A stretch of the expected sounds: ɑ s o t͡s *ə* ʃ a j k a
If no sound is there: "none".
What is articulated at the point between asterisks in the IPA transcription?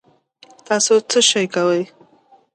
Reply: ə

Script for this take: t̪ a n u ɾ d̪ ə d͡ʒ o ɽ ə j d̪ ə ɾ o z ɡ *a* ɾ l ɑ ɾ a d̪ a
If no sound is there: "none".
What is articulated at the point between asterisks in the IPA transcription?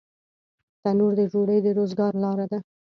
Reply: ɑ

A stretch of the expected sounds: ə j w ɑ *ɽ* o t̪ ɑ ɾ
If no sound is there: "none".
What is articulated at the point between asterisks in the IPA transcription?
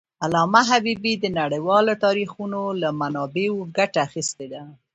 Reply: l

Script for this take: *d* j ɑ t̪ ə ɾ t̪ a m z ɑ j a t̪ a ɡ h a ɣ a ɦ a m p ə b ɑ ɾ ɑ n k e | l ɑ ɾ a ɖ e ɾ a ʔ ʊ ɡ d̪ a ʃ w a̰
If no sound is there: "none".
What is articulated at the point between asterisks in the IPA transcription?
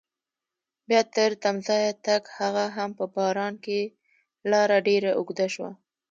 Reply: b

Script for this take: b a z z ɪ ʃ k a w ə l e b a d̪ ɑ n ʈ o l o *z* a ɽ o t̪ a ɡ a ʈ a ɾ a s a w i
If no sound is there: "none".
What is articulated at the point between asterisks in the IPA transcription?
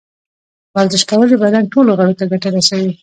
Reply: ɣ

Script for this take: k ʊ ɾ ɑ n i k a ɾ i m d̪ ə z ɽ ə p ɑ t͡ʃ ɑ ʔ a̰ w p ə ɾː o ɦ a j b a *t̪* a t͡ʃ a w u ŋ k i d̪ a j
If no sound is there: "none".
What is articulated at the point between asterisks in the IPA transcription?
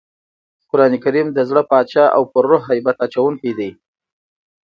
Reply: t̪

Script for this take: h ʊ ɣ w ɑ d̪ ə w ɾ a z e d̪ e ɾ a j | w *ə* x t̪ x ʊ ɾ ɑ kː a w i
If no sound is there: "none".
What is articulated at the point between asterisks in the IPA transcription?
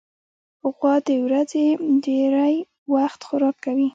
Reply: a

